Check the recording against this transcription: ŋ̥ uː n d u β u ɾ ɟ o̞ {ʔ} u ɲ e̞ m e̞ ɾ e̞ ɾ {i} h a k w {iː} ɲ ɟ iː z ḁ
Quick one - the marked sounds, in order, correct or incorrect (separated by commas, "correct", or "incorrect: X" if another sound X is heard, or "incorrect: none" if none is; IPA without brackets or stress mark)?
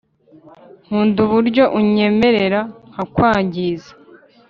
correct, incorrect: a, incorrect: aː